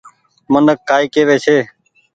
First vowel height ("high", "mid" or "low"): mid